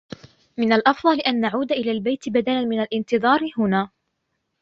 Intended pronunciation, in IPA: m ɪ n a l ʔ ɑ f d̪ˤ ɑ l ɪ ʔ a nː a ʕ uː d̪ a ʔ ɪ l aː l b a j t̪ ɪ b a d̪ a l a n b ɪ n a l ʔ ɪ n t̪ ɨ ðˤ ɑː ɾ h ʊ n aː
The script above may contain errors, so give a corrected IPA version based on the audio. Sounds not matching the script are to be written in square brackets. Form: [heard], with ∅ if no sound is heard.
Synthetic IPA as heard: m ɪ n a l ʔ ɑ f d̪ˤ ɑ l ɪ ʔ a nː a ʕ uː d̪ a ʔ ɪ l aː l b a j t̪ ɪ b a d̪ a l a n [m] ɪ n a l ʔ ɪ n t̪ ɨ ðˤ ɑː ɾ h ʊ n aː